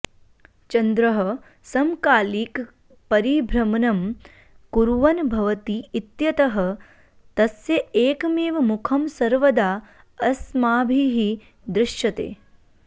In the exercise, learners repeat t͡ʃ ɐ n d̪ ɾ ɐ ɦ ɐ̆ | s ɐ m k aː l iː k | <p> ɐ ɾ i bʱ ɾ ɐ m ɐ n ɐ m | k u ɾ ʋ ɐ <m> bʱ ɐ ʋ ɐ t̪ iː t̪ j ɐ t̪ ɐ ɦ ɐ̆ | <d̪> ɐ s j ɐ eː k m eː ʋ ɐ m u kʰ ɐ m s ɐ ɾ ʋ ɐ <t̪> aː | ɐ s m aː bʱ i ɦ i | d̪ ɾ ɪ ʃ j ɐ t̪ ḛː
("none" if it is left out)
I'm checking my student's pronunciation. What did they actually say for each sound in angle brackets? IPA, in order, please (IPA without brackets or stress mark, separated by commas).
p, n, t̪, d̪